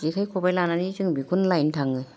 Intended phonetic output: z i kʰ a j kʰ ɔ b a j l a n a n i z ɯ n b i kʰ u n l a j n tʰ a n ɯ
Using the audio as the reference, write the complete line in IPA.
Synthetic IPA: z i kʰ a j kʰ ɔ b a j l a n a n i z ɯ ŋ b i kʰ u n l a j n tʰ a ŋ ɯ